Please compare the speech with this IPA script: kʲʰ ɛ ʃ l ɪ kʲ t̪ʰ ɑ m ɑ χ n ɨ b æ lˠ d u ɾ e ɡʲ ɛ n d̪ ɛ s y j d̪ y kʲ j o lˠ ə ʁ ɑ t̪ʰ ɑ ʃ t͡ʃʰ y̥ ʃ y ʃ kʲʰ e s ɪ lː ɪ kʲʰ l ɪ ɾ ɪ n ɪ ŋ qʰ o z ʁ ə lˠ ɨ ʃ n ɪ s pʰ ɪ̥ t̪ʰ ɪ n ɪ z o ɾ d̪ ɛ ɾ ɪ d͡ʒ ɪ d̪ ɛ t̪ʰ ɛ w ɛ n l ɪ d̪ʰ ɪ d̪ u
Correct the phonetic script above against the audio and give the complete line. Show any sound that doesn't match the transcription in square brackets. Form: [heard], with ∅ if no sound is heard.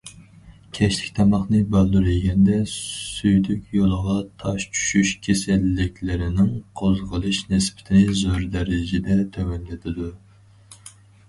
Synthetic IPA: kʲʰ ɛ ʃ l ɪ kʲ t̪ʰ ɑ m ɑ χ n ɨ b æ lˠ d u ɾ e ɡʲ ɛ n d̪ ɛ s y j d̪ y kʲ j o lˠ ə ʁ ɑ t̪ʰ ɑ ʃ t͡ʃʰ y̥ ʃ y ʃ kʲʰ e s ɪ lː ɪ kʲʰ l ɪ ɾ ɪ n ɪ ŋ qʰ o z ʁ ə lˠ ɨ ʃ n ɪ s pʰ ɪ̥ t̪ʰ ɪ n ɪ z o ɾ d̪ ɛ ɾ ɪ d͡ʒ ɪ d̪ ɛ t̪ʰ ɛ w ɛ n l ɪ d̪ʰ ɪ d̪ u